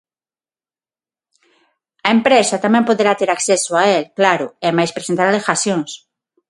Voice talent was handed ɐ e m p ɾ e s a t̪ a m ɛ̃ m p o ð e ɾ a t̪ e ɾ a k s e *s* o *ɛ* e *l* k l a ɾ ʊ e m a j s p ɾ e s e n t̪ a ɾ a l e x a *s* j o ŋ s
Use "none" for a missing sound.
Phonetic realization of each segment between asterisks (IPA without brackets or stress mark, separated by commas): s, a, l, s